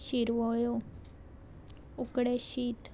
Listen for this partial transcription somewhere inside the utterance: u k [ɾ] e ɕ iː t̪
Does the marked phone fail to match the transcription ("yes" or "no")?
yes